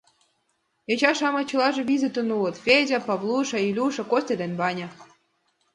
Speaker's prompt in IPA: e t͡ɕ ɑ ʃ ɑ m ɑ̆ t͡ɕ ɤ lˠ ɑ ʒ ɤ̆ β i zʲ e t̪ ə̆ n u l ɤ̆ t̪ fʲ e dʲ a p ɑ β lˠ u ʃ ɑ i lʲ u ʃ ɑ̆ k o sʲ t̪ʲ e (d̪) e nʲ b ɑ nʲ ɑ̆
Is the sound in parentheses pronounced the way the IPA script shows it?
yes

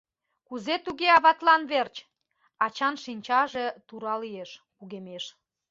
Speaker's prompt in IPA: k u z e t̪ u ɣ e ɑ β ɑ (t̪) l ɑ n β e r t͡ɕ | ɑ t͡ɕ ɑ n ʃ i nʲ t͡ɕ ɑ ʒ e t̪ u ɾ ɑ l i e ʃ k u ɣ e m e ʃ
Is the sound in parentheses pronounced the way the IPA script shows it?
yes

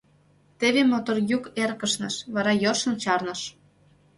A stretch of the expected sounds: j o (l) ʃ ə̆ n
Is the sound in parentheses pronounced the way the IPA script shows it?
no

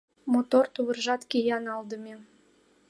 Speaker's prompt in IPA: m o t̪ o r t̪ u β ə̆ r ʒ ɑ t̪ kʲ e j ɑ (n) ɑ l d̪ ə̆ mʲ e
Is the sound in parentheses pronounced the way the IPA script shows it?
yes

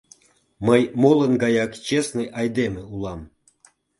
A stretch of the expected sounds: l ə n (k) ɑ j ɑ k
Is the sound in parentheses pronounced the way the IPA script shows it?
no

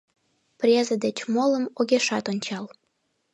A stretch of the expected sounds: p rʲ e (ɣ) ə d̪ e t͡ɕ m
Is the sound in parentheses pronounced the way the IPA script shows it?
no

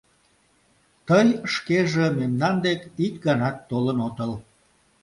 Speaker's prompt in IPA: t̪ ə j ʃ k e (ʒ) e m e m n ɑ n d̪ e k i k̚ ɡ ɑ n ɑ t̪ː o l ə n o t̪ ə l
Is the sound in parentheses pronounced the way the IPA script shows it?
yes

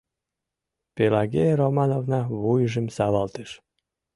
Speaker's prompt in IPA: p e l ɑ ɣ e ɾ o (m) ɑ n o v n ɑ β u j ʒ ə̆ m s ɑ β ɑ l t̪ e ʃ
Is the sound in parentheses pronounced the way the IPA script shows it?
yes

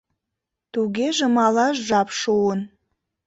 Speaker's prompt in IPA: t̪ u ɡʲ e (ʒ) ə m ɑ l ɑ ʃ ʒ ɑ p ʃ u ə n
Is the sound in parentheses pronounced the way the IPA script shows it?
yes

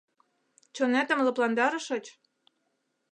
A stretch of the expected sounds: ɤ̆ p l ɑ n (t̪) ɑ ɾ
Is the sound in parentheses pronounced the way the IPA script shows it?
no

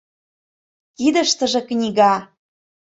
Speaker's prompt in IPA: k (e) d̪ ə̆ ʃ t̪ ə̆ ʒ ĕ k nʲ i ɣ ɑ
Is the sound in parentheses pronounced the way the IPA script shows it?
no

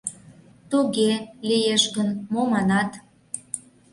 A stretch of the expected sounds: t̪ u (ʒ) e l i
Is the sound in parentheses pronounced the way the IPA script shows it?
no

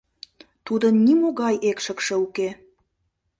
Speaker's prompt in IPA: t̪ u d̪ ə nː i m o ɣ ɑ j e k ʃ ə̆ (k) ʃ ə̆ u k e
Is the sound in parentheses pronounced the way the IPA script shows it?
yes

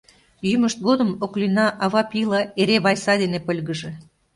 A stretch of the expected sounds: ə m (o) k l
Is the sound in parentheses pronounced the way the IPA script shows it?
yes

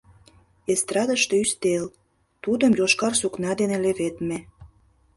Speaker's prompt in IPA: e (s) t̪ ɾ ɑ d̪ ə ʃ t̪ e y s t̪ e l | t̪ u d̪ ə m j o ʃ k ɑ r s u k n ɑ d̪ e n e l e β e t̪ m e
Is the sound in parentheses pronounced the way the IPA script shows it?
yes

